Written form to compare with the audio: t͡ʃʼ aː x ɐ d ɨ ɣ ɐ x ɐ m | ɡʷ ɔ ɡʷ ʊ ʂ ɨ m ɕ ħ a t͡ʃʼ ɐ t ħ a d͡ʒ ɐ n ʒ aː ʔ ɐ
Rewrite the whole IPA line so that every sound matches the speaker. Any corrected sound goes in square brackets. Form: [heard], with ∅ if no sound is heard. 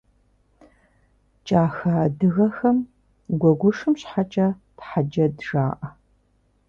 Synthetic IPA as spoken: t͡ʃʼ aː x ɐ d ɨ ɣ ɐ x ɐ m | ɡʷ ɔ ɡʷ ʊ ʂ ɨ m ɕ ħ a t͡ʃʼ ɐ t ħ a d͡ʒ ɐ [d] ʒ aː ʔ ɐ